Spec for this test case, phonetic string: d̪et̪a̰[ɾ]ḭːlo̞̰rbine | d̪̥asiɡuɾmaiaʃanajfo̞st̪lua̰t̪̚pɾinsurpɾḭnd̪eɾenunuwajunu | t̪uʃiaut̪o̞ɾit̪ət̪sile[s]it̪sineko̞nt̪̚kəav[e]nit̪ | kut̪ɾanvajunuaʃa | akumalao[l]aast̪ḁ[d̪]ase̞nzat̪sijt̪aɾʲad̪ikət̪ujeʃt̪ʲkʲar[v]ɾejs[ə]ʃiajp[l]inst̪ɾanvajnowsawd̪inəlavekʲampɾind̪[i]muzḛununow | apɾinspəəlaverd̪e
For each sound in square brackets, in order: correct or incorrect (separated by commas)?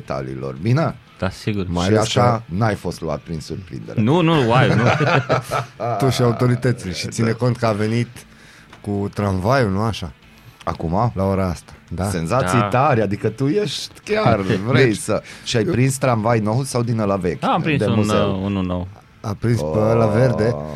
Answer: incorrect, incorrect, correct, incorrect, correct, correct, correct, incorrect, incorrect